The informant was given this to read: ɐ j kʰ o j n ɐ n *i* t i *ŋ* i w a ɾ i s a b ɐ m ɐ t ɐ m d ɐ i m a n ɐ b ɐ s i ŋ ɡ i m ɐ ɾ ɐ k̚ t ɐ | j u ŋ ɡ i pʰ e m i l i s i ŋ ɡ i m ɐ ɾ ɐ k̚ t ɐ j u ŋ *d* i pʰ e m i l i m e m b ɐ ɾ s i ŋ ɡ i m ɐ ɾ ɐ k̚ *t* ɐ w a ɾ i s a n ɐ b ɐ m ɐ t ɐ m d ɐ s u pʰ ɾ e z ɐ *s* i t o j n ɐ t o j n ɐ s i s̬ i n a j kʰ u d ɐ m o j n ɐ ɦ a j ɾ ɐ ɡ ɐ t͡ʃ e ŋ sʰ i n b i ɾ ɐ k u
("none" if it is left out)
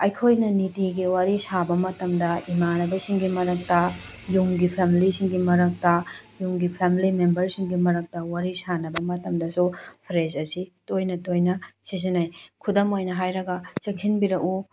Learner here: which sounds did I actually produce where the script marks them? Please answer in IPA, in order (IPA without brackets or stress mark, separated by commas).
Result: i, ɡ, ɡ, t, s